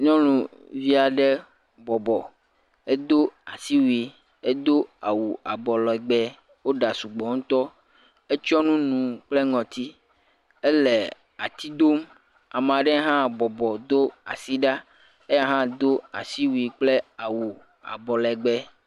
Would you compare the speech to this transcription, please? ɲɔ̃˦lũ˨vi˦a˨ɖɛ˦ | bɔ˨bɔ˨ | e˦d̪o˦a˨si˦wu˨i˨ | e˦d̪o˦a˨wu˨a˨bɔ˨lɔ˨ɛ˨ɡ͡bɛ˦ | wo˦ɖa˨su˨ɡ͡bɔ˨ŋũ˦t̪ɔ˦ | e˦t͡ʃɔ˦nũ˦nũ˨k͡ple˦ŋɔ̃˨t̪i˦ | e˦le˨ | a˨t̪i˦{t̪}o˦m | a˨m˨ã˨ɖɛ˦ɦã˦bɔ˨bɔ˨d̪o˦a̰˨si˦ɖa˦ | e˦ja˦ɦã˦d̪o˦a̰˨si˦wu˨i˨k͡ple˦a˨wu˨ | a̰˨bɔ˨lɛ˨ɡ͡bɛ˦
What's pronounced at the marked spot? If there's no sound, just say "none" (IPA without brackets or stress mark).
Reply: d̪